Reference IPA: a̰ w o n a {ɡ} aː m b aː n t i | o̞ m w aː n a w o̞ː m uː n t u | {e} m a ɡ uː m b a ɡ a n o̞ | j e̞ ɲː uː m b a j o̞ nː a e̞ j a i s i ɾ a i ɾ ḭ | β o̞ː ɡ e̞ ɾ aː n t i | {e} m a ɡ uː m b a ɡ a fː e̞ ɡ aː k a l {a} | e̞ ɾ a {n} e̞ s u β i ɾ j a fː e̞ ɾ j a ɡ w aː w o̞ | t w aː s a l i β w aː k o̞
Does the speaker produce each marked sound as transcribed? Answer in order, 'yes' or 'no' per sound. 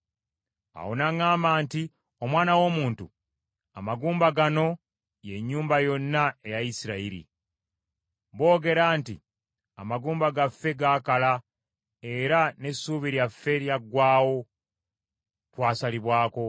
no, no, no, yes, yes

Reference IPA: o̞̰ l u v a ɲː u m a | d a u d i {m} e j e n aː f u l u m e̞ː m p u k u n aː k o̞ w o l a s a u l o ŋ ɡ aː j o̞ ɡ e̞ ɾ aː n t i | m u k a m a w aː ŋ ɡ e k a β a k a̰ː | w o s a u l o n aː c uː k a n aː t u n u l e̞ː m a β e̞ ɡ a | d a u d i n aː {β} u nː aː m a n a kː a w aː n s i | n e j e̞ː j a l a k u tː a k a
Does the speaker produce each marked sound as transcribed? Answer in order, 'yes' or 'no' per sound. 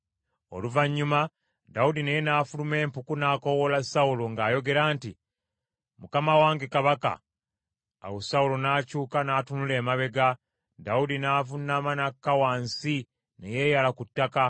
no, no

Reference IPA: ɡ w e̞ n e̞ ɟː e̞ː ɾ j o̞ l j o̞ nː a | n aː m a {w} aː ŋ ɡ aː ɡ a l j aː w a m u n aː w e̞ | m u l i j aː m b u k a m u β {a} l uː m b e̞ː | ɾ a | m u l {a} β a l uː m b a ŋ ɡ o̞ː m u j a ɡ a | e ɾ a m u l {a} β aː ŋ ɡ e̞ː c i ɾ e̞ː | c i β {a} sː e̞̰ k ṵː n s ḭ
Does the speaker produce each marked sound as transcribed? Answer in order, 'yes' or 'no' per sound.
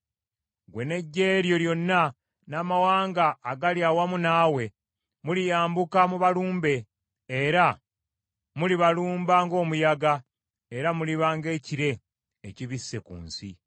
yes, yes, no, no, no

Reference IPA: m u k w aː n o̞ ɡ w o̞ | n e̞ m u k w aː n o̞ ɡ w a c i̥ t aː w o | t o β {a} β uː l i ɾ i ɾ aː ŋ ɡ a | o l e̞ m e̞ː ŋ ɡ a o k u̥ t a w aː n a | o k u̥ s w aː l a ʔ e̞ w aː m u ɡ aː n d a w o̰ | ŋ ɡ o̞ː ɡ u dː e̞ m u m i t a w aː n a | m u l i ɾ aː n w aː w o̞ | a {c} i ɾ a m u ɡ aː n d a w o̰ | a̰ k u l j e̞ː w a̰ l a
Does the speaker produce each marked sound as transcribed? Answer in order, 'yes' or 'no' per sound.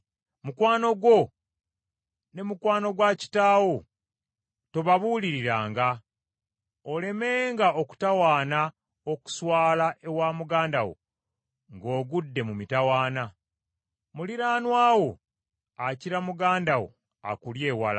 yes, yes

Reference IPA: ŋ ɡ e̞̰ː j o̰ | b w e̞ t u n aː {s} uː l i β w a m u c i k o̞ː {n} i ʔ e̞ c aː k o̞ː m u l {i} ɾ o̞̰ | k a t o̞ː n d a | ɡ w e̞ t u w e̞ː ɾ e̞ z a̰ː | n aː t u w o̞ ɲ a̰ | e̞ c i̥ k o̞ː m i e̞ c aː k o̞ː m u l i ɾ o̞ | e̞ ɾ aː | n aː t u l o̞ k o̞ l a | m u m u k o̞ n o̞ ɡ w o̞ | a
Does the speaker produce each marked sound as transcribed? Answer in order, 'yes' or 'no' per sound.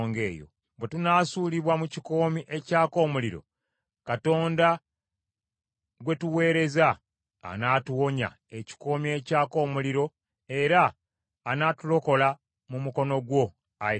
yes, no, yes

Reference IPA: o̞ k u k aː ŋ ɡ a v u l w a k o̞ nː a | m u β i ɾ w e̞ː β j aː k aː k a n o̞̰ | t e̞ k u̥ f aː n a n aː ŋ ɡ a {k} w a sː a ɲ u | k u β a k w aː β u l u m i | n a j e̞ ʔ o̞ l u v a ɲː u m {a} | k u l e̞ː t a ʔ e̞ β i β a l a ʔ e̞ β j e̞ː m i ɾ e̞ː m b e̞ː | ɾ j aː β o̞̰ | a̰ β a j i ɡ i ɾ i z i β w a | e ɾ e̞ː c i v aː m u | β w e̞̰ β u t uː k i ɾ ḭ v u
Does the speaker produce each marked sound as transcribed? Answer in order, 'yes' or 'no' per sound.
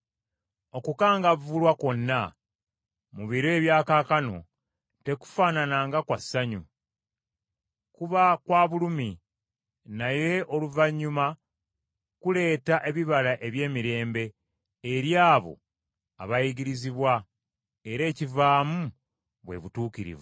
yes, yes

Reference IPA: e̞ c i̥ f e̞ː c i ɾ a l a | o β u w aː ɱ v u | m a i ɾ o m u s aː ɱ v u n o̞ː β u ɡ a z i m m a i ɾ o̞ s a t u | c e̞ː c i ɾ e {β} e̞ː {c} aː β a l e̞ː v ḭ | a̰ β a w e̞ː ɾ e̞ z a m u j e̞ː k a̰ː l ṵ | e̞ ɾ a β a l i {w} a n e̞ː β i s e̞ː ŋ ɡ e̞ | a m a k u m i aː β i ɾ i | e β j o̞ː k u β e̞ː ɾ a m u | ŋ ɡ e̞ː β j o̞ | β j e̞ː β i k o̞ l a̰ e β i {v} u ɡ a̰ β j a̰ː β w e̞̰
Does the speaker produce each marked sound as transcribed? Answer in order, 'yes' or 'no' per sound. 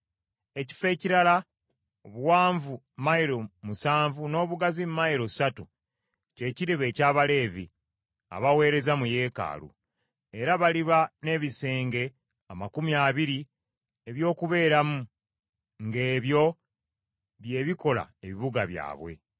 yes, yes, no, no

